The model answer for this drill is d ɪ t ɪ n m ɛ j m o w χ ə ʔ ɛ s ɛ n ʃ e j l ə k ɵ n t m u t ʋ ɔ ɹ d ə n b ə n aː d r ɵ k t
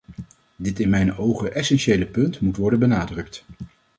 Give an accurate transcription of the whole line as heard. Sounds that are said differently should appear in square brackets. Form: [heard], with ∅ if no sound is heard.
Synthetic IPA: d ɪ t ɪ n m ɛ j [n] o w χ ə ʔ ɛ s ɛ n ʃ e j l ə [p] ɵ n t m u t ʋ ɔ ɹ d ə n b ə n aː d r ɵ k t